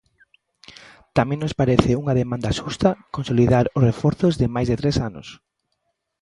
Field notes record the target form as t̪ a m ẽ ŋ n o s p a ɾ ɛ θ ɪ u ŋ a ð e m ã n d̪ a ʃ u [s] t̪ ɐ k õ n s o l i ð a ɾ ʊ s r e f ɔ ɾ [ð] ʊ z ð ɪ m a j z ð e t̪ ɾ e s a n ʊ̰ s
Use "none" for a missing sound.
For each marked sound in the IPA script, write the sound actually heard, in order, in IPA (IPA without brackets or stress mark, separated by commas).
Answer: s, θ